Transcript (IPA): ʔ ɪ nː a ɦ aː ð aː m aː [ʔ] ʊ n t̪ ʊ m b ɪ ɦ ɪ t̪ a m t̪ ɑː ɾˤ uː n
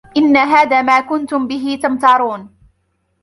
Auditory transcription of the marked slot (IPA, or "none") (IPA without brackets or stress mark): k